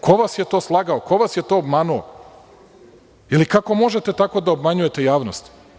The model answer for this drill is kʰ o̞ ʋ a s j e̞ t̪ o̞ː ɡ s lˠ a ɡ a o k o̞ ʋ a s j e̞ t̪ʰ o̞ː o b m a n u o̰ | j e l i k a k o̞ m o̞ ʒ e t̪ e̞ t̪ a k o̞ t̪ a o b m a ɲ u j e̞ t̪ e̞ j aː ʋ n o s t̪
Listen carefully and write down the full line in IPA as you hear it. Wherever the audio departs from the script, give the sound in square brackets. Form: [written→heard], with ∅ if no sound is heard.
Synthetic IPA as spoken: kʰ o̞ ʋ a s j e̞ t̪ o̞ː [ɡ→∅] s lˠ a ɡ a o k o̞ ʋ a s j e̞ [t̪ʰ→t̪] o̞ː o b m a n u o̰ | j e l i k a k o̞ m o̞ ʒ e t̪ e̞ t̪ a k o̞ [t̪→d̪] a o b m a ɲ u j e̞ t̪ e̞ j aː ʋ n o s t̪